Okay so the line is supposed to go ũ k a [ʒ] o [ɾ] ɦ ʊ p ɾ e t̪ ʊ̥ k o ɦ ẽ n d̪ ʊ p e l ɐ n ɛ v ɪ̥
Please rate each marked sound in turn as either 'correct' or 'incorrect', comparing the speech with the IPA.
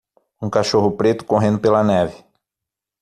incorrect: ʃ, incorrect: none

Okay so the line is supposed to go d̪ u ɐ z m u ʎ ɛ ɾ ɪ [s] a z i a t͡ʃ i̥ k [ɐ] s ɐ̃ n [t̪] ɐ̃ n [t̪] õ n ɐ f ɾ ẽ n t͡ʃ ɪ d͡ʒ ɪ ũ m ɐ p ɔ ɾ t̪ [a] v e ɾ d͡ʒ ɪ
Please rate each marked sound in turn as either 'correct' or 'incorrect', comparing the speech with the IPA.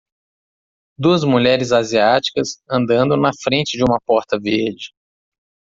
incorrect: z, correct, incorrect: d̪, incorrect: d̪, incorrect: ɐ

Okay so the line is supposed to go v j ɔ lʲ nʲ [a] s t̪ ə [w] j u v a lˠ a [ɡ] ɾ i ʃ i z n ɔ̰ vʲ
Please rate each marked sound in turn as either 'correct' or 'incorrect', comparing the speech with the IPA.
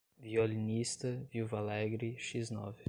incorrect: i, incorrect: v, correct

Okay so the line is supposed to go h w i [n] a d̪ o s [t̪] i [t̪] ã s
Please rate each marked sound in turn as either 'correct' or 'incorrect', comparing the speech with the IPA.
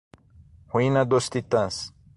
correct, correct, correct

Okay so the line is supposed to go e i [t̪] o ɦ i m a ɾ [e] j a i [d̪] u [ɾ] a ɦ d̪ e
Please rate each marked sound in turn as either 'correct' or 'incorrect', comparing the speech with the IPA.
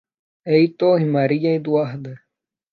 correct, incorrect: i, correct, incorrect: none

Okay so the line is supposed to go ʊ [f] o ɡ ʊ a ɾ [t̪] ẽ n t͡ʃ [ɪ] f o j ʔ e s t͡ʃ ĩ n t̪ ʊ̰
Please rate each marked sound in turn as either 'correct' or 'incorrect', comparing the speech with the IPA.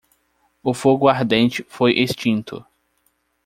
correct, incorrect: d̪, correct

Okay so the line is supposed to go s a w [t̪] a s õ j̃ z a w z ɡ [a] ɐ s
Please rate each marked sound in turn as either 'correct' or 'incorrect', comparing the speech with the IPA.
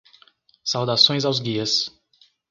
incorrect: d̪, incorrect: i

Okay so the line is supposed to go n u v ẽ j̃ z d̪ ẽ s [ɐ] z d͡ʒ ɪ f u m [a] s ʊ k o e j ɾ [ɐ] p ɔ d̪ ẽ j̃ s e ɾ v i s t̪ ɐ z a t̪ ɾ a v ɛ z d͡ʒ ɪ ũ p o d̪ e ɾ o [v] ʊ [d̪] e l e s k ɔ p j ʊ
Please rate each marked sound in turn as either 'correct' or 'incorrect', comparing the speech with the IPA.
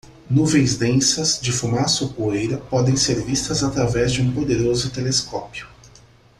correct, correct, correct, incorrect: z, incorrect: t̪

